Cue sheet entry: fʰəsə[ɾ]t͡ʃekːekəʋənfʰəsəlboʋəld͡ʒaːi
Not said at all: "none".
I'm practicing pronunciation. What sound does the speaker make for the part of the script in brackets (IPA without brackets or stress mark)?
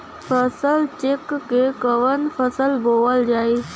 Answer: l